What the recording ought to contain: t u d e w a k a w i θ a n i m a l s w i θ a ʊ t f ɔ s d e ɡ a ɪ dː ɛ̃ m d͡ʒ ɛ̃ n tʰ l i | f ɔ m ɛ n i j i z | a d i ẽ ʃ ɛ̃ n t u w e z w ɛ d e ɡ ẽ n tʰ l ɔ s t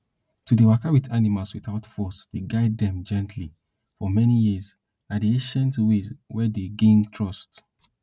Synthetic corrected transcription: t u d e w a k a w i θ a n i m a l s w i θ a ʊ t f ɔ s d e ɡ a ɪ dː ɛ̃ m d͡ʒ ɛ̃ n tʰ l i | f ɔ m ɛ n i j i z | a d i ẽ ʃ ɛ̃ n t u w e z w ɛ d e ɡ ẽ n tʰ ɹ ɔ s t